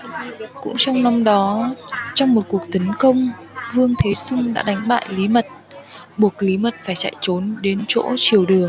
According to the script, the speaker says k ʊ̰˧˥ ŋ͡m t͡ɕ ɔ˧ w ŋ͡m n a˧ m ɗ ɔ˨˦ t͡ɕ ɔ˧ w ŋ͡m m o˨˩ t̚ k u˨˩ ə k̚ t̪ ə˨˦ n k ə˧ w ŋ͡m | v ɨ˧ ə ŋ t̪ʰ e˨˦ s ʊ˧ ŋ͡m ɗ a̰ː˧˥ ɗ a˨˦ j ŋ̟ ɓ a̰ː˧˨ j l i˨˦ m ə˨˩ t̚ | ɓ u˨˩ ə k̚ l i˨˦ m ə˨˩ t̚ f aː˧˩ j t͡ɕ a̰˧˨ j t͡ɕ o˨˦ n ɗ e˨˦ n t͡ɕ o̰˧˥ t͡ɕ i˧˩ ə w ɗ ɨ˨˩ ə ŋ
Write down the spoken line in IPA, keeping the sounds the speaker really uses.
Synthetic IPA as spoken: k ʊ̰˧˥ ŋ͡m t͡ɕ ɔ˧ w ŋ͡m n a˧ m ɗ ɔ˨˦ t͡ɕ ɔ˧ w ŋ͡m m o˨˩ t̚ k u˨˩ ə k̚ t̪ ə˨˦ n k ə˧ w ŋ͡m | v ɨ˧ ə ŋ t̪ʰ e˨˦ s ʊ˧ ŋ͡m ɗ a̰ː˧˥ ɗ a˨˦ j ŋ̟ ɓ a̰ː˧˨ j l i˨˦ m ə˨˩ t̚ | ɓ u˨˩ ə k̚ l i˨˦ m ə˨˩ t̚ f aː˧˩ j t͡ɕ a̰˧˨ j t͡ɕ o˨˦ n ɗ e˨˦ n t͡ɕ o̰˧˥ t͡ɕ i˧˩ ə w ɗ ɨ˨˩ ə ŋ